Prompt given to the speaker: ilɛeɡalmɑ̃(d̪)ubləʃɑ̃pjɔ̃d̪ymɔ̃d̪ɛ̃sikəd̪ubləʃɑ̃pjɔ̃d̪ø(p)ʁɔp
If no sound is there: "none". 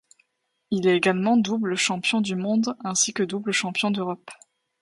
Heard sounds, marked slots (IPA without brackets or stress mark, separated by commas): d̪, none